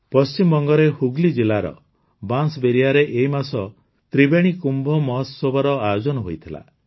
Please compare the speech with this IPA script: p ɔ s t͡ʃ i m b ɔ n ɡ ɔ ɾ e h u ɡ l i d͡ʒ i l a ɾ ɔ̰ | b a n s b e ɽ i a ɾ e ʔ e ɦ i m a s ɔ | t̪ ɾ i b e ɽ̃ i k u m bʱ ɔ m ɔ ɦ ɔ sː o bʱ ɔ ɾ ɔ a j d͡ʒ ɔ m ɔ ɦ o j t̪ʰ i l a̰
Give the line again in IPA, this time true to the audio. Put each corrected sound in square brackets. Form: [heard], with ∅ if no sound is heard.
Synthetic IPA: p ɔ s t͡ʃ i m b ɔ [ŋ] ɡ ɔ ɾ e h u ɡ l i d͡ʒ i l a ɾ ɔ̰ | b a n s b e [ɾ] i a ɾ e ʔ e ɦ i m a s ɔ | t̪ ɾ i b e ɽ̃ i k u m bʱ ɔ m ɔ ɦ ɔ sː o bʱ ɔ ɾ ɔ a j d͡ʒ ɔ [n] ɔ ɦ o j t̪ʰ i l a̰